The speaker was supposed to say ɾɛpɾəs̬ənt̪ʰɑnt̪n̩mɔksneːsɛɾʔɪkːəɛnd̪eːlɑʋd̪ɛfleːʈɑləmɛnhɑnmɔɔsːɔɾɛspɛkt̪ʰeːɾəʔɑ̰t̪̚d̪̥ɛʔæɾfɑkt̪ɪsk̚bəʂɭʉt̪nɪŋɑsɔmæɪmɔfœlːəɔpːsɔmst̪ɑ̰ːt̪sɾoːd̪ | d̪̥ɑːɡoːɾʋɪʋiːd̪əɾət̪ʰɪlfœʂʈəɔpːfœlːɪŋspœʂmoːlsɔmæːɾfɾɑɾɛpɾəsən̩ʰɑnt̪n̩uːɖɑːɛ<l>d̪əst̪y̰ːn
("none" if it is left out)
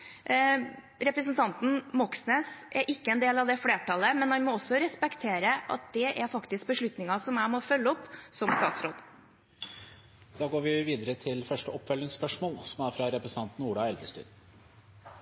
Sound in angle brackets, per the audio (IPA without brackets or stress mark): l